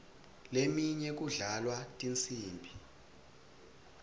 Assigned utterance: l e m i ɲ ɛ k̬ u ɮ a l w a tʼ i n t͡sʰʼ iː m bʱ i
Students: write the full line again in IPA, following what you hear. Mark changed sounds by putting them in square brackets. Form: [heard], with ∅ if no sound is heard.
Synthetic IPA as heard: l e m i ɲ ɛ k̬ u ɮ a l w a tʼ i n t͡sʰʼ iː m bʱ i